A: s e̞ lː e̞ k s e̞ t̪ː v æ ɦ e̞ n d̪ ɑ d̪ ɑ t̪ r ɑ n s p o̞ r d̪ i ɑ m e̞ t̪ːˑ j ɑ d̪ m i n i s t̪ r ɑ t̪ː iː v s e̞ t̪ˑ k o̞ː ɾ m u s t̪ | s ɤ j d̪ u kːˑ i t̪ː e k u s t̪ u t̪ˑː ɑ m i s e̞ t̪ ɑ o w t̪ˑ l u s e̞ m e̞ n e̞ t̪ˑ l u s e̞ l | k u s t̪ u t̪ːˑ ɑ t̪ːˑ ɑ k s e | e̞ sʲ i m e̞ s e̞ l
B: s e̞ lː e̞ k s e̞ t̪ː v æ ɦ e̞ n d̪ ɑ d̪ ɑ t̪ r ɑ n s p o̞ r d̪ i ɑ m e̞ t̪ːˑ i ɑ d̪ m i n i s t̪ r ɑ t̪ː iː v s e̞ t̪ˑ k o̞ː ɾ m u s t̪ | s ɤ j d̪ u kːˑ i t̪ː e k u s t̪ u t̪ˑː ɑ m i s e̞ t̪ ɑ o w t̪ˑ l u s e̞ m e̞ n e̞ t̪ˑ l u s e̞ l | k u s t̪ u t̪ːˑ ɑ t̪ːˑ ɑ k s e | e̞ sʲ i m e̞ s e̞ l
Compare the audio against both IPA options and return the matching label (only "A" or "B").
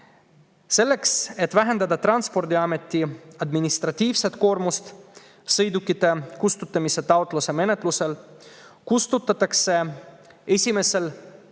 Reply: B